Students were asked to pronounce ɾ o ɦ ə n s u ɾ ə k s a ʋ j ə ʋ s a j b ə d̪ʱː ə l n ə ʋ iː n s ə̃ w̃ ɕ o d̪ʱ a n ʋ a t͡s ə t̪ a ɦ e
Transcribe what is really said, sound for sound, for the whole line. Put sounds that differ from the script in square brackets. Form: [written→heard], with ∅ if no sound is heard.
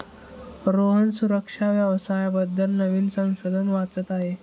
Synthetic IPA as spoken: ɾ o ɦ ə n s u ɾ ə k [s→ʂ] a ʋ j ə ʋ s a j b ə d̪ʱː ə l n ə ʋ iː n s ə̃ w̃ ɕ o d̪ʱ [a→ə] n ʋ a t͡s ə t̪ a ɦ e